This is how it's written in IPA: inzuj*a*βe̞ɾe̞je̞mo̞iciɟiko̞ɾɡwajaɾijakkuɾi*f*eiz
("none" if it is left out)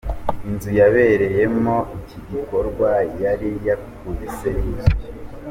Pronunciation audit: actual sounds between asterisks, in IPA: a, s

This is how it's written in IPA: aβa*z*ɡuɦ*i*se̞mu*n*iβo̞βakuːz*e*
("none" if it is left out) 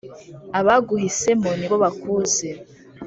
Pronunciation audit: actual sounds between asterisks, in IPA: none, i, n, e

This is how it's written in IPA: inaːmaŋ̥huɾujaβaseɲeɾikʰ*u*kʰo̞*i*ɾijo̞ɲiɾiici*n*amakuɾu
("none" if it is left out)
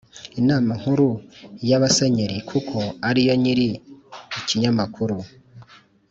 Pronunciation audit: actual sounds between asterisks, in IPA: u, a, ɲ

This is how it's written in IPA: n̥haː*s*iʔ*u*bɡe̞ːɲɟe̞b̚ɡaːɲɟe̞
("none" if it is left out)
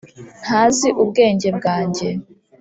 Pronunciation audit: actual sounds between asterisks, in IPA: z, u

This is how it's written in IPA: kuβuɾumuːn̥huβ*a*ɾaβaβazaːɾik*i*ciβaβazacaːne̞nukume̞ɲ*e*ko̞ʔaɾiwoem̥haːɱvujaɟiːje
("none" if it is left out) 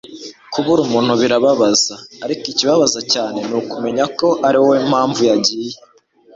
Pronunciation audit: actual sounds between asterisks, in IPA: i, i, a

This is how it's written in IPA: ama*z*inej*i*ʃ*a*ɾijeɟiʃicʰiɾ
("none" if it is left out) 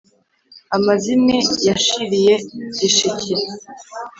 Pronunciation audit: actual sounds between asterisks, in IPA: z, a, i

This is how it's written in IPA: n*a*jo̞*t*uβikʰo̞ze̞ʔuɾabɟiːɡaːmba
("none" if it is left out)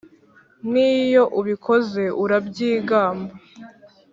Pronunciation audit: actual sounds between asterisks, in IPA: i, ʔ

